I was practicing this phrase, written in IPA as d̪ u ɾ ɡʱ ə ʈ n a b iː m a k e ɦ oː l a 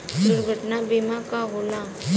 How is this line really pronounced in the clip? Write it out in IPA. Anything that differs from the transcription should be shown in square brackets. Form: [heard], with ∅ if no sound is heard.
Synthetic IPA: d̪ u ɾ ɡʱ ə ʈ n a b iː m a k [a] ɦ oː l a